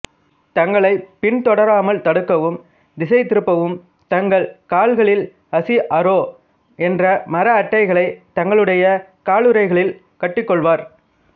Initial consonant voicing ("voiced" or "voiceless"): voiceless